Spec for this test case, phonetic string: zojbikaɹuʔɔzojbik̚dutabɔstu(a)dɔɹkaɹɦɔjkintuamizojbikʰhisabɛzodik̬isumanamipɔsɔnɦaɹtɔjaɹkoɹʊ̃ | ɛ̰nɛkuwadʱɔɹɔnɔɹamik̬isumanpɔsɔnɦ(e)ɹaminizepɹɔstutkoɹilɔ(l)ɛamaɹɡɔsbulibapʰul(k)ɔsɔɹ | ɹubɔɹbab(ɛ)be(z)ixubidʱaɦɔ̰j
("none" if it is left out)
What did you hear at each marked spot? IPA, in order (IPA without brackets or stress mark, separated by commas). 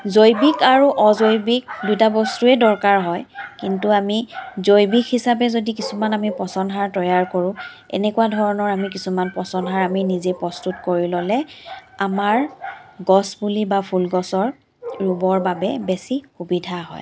ɛ, a, l, ɡ, ɛ, s